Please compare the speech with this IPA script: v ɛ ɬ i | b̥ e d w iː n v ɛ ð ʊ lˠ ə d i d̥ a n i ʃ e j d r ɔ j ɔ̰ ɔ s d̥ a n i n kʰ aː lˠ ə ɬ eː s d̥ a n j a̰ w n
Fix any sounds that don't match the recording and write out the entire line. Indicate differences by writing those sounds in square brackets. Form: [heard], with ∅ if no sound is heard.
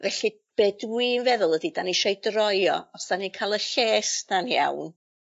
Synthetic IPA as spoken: v ɛ ɬ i | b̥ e d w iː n v ɛ ð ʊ lˠ ə d i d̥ a n i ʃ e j d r ɔ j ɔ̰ ɔ s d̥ a n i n kʰ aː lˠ ə ɬ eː s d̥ a n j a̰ w n

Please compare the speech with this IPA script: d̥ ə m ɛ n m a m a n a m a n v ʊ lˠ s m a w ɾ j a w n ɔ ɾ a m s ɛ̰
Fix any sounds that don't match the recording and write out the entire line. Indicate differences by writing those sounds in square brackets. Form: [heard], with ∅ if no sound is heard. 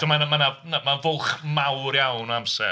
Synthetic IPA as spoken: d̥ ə m [a] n m a [n] a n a m a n v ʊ lˠ [χ] m a w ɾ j a w n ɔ [∅] a m s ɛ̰

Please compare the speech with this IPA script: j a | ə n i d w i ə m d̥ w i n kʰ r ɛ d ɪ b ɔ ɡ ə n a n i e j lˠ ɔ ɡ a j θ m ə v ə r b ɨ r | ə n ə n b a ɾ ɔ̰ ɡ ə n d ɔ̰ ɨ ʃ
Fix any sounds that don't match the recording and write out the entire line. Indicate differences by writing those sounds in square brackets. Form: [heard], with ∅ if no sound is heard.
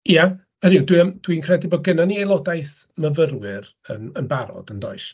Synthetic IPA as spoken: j a | ə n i d w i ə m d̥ w i n kʰ r ɛ d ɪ b ɔ ɡ ə n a n i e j lˠ ɔ [d] a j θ m ə v ə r [w] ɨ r | ə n ə n b a ɾ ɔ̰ [d] ə n d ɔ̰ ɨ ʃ

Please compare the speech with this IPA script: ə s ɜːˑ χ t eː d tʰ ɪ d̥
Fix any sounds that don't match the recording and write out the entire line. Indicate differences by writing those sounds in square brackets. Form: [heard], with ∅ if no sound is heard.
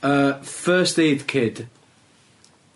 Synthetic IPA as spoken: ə [f] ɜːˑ [s] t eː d [kʰ] ɪ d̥

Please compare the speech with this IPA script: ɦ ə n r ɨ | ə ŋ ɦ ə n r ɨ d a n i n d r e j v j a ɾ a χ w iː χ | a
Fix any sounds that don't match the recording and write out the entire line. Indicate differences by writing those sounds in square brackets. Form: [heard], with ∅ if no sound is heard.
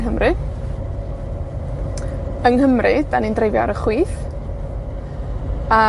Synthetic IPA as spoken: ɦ ə [m] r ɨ | ə ŋ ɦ ə [m] r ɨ d a n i n d r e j v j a ɾ [ə] χ w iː [θ] | a

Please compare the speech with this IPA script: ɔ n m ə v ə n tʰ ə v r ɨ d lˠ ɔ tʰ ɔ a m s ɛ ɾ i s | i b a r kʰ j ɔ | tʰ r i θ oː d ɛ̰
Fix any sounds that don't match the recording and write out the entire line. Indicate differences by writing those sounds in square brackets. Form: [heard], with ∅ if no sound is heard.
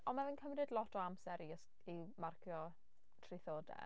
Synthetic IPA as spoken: ɔ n m [a] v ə n [kʰ] ə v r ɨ d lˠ ɔ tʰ ɔ a m s ɛ ɾ i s | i [m] a r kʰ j ɔ | tʰ r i θ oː d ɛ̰

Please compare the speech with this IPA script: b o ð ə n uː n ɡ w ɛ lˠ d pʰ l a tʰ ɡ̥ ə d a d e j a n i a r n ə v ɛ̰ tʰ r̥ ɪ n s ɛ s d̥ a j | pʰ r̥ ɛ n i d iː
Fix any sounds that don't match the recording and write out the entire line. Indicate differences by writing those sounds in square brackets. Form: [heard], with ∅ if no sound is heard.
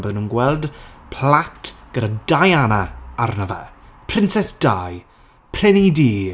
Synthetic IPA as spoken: b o ð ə n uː n ɡ w ɛ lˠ d pʰ l a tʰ ɡ̥ ə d a d [a] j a n [a] a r n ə v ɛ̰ [pʰ] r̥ ɪ n s ɛ s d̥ a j | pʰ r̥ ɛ n i d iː

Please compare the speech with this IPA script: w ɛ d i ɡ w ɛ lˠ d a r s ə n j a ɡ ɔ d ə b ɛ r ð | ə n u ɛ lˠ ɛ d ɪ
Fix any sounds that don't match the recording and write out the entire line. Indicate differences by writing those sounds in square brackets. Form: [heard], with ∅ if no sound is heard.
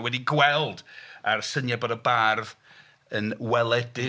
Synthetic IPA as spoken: w ɛ d i ɡ w ɛ lˠ d a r s ə n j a [b] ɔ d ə b [a] r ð | ə n [w] ɛ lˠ ɛ d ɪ

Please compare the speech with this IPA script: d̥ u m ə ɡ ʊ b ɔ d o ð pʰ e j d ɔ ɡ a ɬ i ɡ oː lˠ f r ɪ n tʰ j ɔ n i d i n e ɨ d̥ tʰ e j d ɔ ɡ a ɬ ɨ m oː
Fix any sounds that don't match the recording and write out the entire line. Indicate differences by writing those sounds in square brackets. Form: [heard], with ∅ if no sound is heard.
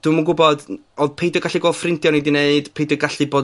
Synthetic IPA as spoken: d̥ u m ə ɡ ʊ b ɔ d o ð pʰ e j d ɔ ɡ a ɬ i ɡ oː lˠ f r ɪ n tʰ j ɔ n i d i n e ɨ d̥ [pʰ] e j d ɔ ɡ a ɬ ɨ [b] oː

